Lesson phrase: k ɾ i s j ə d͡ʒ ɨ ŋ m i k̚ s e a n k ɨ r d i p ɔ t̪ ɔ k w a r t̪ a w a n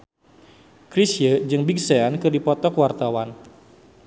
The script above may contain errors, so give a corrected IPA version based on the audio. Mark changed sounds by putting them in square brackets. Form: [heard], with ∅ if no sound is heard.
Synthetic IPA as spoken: k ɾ i s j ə d͡ʒ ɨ ŋ [b] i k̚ s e a n k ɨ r d i p ɔ t̪ ɔ k w a r t̪ a w a n